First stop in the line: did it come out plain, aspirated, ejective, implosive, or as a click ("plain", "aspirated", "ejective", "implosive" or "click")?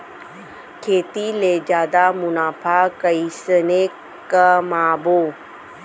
aspirated